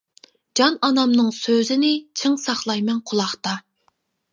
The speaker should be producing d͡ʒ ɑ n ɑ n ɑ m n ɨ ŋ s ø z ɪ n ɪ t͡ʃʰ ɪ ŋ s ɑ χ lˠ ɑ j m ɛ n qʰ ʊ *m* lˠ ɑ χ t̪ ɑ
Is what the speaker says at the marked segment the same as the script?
no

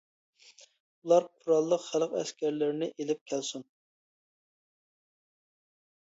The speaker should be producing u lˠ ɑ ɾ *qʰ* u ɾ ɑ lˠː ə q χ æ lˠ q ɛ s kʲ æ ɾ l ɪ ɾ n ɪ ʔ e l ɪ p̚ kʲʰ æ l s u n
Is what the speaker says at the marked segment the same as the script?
yes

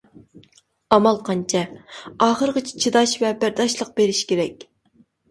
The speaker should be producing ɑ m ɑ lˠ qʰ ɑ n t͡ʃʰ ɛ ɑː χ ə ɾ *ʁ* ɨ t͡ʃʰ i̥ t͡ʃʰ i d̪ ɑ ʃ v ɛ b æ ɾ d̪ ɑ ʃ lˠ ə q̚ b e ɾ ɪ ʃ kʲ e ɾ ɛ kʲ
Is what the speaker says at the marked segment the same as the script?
yes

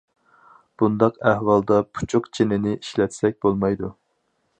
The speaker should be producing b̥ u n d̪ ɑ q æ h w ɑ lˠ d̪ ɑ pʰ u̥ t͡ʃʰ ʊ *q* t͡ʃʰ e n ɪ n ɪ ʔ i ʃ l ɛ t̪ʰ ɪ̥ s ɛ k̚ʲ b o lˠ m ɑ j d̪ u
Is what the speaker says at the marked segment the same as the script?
yes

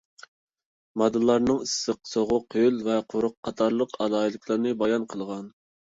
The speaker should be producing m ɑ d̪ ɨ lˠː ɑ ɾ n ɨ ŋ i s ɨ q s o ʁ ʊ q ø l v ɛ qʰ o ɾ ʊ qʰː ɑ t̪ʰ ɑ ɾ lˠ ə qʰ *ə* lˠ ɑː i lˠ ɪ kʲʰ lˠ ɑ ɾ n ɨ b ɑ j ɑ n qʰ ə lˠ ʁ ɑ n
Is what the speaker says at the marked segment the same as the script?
no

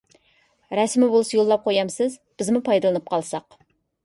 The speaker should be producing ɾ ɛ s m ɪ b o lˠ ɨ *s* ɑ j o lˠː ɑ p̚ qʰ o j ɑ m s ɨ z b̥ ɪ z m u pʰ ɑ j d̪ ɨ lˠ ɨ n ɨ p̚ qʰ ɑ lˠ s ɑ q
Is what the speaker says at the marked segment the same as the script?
yes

